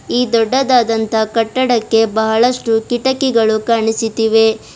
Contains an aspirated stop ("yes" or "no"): no